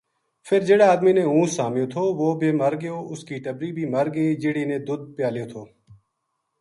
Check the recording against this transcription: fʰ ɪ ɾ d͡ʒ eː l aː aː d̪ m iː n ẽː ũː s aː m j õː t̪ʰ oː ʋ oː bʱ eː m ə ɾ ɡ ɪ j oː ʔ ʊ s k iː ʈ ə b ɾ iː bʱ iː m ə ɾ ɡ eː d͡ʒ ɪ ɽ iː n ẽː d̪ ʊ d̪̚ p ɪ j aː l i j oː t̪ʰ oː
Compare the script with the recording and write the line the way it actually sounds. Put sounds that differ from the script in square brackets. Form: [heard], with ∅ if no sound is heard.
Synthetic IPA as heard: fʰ ɪ ɾ d͡ʒ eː [ɽ] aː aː d̪ m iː n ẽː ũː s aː m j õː t̪ʰ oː ʋ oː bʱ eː m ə ɾ ɡ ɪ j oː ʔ ʊ s k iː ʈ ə b ɾ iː bʱ iː m ə ɾ ɡ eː d͡ʒ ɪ ɽ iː n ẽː d̪ ʊ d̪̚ p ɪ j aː l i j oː t̪ʰ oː